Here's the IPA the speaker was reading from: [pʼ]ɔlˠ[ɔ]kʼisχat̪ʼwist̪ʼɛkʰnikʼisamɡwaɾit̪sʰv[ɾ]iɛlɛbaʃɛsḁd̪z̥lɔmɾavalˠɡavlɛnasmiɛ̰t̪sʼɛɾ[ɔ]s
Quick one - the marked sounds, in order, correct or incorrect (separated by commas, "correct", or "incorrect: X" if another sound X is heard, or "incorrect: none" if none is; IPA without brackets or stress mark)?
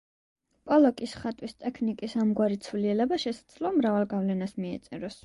correct, correct, incorrect: l, correct